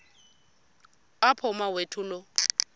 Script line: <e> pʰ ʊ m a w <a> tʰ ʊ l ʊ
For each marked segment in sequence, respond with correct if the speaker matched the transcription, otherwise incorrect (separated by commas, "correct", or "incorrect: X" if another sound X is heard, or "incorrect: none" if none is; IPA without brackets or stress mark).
incorrect: a, incorrect: e